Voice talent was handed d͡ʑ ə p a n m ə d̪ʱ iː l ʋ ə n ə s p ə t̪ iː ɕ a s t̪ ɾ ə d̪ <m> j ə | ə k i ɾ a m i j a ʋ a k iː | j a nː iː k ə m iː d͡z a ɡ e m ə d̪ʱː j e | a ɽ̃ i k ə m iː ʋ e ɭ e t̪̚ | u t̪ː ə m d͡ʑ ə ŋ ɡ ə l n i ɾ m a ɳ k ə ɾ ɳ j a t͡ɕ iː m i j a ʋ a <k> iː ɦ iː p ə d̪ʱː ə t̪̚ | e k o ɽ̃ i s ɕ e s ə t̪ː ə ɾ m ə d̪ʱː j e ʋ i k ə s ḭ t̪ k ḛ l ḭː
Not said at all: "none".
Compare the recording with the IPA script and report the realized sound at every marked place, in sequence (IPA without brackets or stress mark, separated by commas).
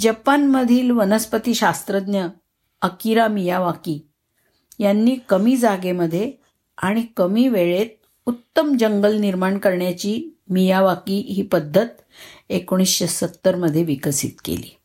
n, k